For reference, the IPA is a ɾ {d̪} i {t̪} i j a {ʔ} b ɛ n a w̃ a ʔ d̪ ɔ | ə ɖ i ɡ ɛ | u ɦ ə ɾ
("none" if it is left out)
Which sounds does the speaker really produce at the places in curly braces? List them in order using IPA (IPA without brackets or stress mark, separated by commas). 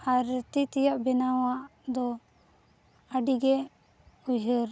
t̪, t̪, ʔ